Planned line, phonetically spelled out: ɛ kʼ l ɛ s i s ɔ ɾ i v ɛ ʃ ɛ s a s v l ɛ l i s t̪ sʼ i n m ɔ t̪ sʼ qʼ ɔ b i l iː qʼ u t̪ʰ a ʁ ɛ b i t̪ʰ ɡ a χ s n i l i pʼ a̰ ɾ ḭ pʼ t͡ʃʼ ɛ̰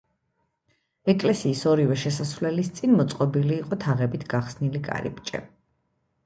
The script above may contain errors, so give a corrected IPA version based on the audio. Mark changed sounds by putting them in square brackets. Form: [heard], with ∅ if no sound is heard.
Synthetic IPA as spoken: ɛ kʼ l ɛ s [iː] s ɔ ɾ i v ɛ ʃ ɛ s a s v l ɛ l i s t̪ sʼ i n m ɔ t̪ sʼ qʼ ɔ b i l iː qʼ [ɔ] t̪ʰ a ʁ ɛ b i t̪ʰ ɡ a χ s n i l i [kʼ] a̰ ɾ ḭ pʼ t͡ʃʼ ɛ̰